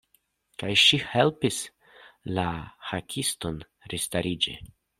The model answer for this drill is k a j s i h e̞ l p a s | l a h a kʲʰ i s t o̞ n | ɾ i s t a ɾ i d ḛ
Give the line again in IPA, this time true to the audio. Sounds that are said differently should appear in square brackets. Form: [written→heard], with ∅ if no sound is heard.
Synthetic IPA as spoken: k a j [s→ʃ] i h e̞ l p [a→i] s | l a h a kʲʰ i s t o̞ n | ɾ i s t a ɾ i [d→d͡ʒ] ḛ